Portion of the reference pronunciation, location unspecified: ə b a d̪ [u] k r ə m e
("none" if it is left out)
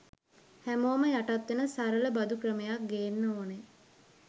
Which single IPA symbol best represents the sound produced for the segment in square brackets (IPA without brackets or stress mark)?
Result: u